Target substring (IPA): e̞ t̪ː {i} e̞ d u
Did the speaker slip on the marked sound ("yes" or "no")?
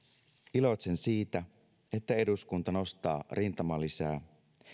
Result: yes